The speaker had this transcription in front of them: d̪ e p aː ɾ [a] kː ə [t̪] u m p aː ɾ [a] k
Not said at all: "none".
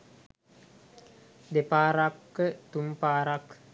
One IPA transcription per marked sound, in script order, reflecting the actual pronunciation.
a, t̪, a

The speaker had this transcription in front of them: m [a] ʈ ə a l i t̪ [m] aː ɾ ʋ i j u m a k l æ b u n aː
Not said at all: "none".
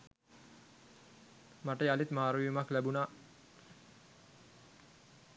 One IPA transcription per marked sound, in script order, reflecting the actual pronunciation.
a, m

